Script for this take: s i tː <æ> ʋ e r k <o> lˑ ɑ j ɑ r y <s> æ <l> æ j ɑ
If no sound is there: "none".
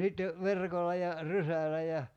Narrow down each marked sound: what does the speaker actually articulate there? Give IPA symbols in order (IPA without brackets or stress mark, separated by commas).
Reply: e, o, s, l